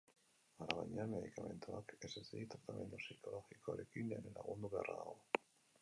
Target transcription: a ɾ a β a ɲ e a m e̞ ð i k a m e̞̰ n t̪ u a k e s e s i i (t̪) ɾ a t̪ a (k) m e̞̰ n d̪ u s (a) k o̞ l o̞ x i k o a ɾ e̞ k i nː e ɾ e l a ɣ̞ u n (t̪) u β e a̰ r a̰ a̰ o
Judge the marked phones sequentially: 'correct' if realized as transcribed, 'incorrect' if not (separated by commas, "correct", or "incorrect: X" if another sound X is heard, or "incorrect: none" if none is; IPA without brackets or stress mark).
correct, incorrect: none, incorrect: i, incorrect: d̪